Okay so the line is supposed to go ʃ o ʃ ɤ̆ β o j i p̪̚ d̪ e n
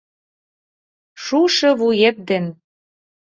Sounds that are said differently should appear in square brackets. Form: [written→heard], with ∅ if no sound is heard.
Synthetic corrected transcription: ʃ [o→u] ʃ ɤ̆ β [o→u] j [i→e] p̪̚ d̪ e n

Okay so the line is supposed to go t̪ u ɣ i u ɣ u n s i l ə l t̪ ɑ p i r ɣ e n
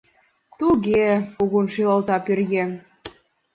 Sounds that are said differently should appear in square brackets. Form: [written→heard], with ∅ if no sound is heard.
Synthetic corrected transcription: t̪ u ɣ [i→e] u ɣ u n [s→ʃ] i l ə l t̪ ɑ p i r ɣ e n

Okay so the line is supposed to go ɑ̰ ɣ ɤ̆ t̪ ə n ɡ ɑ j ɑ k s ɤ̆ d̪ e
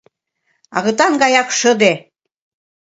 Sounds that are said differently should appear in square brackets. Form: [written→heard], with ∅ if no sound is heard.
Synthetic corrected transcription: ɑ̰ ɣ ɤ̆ t̪ [ə→ɑ] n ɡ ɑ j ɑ k [s→ʃ] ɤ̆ d̪ e

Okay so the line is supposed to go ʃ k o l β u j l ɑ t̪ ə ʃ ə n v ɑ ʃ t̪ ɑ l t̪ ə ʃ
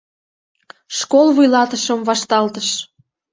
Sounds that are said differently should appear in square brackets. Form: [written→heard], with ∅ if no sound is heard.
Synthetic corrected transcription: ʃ k o l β u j l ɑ t̪ ə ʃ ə [n→m] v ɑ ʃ t̪ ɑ l t̪ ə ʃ

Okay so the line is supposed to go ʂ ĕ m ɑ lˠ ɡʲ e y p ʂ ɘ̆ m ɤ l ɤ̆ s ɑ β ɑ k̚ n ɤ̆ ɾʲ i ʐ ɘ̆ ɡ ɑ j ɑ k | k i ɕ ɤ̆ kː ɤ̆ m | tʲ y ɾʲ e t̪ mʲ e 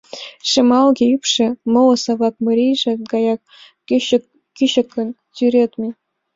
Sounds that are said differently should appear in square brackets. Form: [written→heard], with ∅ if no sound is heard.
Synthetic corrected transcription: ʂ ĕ m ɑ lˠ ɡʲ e y p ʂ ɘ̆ m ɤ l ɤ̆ s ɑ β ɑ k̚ [n→m] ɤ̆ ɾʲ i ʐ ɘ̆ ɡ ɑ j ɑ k | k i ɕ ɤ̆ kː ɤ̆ [m→n] | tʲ y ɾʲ e t̪ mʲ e

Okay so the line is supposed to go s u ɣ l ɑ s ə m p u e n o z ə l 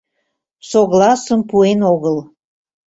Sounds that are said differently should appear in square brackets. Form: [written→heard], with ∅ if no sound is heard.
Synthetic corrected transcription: s [u→o] ɣ l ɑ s ə m p u e n o [z→ɣ] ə l

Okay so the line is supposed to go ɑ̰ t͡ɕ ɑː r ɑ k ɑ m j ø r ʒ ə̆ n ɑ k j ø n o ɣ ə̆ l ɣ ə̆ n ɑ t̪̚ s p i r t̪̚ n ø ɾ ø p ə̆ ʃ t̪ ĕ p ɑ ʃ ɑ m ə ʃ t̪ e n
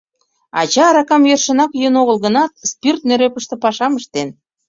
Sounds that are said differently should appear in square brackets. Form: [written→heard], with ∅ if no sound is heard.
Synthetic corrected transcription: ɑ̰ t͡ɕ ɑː [r→ɾ] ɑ k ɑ m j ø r [ʒ→ʃ] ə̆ n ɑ k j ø n o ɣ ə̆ l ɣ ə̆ n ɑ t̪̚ s p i r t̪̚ n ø ɾ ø p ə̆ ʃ t̪ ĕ p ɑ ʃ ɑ m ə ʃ t̪ e n

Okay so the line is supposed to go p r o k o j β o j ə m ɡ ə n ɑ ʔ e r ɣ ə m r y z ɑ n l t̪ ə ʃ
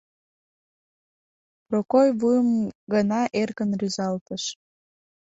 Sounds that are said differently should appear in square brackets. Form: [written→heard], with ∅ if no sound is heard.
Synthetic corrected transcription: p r o k o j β [o→u] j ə m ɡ ə n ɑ ʔ e r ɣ ə [m→n] r y z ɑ [n→∅] l t̪ ə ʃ

